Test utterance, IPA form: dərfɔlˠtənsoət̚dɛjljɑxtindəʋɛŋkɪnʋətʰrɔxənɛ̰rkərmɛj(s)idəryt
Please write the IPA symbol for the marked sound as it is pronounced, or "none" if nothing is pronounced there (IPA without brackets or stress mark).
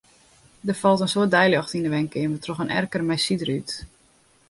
s